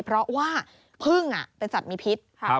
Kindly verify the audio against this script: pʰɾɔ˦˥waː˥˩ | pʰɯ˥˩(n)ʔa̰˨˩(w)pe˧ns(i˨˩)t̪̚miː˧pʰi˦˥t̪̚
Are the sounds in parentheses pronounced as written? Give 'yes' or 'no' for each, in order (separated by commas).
no, no, no